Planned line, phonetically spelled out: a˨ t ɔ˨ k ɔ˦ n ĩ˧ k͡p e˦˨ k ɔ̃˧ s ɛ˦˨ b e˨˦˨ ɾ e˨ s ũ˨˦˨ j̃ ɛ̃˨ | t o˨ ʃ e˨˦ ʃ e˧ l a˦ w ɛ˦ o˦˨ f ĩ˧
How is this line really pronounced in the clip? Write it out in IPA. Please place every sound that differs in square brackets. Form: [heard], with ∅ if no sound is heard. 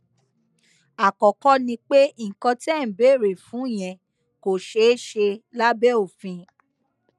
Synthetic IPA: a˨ [k] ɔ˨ k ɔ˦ n ĩ˧ k͡p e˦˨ k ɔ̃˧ [t] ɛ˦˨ b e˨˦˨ ɾ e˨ [f] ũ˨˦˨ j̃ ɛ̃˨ | [k] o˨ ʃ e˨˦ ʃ e˧ l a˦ [b] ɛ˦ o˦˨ f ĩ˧